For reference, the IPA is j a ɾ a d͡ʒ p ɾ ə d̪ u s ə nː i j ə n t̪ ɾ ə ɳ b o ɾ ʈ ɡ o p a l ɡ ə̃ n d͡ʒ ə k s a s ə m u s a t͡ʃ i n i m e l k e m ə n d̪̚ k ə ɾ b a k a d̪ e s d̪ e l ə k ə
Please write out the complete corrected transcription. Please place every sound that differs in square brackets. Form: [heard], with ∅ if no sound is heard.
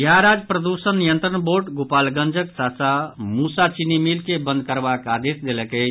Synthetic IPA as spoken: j a ɾ a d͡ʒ p ɾ ə d̪ u s ə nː i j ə n t̪ ɾ ə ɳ b o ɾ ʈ ɡ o p a l ɡ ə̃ n d͡ʒ ə k s a s [a] m u s a t͡ʃ i n i m [i] l k e [b] ə n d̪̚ k ə ɾ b a k a d̪ e s d̪ e l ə k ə